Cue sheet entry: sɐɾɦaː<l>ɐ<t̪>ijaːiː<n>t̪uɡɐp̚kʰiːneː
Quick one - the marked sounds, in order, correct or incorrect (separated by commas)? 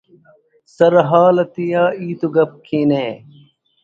correct, correct, incorrect